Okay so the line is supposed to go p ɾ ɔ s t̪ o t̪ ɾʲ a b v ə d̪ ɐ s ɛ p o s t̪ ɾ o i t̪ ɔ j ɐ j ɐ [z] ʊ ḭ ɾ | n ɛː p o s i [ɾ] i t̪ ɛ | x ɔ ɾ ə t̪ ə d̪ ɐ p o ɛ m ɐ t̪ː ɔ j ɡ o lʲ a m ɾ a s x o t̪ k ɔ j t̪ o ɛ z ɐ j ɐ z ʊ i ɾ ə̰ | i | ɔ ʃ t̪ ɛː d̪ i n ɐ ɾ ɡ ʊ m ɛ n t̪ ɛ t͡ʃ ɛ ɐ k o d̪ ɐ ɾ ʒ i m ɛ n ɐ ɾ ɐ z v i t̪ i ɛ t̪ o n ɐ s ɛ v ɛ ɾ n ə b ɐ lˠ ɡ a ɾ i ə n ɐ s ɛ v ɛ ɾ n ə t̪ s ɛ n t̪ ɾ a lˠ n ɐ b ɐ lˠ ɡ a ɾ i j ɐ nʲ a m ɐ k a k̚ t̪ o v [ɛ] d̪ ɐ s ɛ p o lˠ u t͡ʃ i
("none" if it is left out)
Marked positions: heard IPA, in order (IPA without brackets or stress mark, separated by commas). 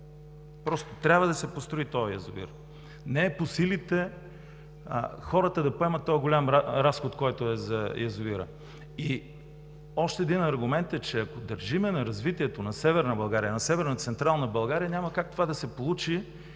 z, l, a